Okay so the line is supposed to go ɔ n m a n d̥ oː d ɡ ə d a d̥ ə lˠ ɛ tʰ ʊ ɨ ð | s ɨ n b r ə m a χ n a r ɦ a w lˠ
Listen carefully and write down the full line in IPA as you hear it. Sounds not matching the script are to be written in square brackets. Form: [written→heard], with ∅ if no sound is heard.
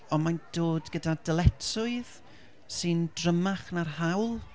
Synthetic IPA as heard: ɔ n m a n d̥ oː d ɡ ə d a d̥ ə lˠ ɛ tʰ ʊ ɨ ð | s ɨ n [b→d] r ə m a χ n a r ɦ a w lˠ